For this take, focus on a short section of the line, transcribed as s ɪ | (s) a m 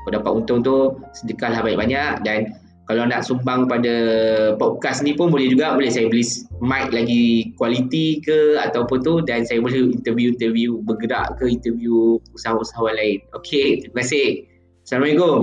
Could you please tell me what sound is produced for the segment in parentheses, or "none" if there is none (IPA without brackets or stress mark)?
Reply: s